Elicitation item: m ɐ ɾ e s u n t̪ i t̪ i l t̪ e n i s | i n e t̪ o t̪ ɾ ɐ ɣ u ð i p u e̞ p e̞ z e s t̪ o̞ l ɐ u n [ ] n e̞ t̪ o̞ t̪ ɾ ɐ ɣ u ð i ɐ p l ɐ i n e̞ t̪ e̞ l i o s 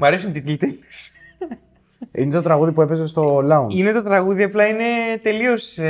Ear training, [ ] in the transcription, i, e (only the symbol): i